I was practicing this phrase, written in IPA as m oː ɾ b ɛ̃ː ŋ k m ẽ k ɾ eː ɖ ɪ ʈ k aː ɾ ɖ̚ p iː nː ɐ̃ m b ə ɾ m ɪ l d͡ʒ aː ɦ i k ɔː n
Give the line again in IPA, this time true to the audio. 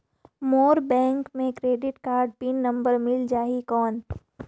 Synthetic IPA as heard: m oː ɾ b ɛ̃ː ŋ k m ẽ k ɾ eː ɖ ɪ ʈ k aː ɾ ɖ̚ p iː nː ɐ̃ m b ə ɾ m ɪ l d͡ʒ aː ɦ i k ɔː n